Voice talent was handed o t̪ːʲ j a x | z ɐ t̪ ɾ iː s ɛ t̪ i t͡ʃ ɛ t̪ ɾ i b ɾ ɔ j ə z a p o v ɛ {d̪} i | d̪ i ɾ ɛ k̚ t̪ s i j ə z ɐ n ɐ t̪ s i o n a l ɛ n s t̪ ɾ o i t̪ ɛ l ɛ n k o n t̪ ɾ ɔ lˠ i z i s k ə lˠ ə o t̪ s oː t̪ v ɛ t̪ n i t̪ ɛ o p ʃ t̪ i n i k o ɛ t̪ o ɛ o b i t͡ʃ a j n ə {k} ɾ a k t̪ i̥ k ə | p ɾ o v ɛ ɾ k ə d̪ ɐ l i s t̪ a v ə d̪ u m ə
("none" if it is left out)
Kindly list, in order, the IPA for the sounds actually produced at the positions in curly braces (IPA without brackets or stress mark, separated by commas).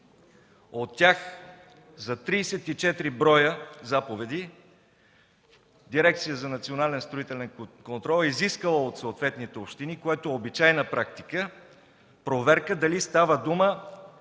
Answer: d̪, p